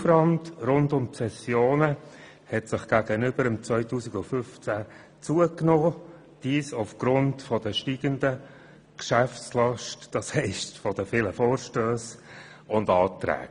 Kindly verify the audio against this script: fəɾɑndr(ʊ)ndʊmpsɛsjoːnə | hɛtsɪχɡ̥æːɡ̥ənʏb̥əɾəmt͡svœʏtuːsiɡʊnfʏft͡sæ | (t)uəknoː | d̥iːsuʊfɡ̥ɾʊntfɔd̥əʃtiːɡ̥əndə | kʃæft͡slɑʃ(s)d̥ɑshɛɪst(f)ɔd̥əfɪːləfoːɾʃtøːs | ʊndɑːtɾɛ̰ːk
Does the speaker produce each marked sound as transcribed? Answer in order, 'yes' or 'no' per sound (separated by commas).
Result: yes, no, no, yes